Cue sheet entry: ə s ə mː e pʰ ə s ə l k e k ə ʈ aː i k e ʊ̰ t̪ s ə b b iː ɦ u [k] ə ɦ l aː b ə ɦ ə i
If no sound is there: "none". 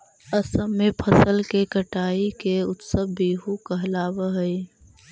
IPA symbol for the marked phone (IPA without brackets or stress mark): k